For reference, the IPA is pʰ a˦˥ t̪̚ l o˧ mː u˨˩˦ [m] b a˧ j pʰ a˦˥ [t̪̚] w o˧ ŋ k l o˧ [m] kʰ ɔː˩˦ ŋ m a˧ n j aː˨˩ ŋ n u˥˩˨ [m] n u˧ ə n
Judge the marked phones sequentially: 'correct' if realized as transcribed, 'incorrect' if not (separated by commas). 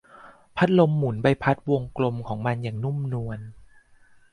incorrect, correct, correct, correct